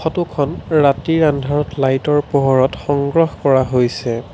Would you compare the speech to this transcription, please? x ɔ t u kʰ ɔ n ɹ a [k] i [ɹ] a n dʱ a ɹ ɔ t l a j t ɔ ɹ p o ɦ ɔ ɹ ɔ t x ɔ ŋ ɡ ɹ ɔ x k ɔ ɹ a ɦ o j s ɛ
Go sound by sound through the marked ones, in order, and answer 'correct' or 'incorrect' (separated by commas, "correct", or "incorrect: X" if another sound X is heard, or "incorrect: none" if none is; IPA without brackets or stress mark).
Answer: incorrect: t, correct